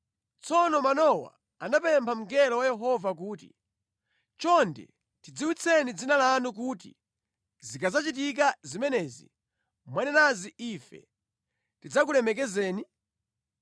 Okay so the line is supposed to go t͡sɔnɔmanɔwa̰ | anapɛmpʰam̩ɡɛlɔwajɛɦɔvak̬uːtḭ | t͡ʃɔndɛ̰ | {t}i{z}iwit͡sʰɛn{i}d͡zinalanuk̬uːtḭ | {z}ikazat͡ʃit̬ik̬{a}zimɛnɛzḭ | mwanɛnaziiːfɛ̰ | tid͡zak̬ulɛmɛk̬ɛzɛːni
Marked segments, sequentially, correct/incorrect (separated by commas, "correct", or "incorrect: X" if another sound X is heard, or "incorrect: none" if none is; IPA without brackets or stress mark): correct, incorrect: d͡z, correct, correct, correct